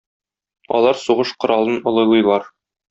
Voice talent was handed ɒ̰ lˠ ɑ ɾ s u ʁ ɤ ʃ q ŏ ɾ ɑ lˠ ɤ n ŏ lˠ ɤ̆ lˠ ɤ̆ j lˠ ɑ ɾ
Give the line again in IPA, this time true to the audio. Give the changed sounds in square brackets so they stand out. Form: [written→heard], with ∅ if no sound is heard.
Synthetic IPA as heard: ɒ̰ lˠ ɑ ɾ s u ʁ ɤ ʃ q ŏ ɾ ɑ lˠ ɤ n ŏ lˠ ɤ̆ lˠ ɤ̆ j lˠ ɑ ɾ